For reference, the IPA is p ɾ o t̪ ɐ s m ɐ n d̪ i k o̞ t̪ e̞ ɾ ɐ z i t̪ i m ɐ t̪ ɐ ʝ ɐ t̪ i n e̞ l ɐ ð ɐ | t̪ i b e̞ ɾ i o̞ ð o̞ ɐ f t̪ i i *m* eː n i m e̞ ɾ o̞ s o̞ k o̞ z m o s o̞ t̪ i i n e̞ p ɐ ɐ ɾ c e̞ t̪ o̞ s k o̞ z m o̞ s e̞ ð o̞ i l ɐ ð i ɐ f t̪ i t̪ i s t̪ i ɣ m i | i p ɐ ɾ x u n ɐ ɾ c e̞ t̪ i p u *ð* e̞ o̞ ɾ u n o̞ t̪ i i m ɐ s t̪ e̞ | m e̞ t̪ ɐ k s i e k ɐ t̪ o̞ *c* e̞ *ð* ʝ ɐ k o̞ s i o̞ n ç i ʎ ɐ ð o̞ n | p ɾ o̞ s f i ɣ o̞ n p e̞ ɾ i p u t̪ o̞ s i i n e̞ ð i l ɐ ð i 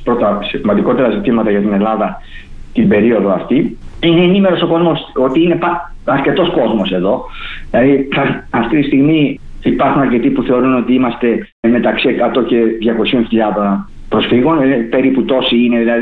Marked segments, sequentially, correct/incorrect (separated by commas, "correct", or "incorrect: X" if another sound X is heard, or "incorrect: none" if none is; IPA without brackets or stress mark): incorrect: n, incorrect: θ, correct, correct